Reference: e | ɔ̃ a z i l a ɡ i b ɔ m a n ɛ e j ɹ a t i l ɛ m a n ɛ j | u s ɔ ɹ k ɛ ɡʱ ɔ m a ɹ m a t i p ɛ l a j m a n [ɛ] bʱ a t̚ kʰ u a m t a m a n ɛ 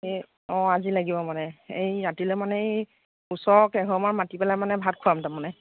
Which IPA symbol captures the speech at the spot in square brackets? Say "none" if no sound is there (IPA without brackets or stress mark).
ɛ